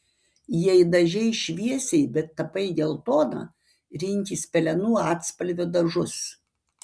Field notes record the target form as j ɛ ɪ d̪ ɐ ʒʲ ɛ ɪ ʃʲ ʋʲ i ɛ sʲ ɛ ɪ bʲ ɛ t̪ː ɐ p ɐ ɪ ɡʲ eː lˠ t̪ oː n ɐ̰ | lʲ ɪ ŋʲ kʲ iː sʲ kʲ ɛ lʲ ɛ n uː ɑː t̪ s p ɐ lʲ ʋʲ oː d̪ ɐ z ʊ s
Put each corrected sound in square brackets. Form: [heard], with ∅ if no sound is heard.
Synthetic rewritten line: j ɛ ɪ d̪ ɐ ʒʲ ɛ ɪ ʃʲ ʋʲ i ɛ sʲ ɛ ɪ bʲ ɛ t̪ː ɐ p ɐ ɪ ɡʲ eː lˠ t̪ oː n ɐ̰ | [ɾʲ] ɪ ŋʲ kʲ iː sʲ [pʲ] ɛ lʲ ɛ n uː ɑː t̪ s p ɐ lʲ ʋʲ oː d̪ ɐ [ʒ] ʊ s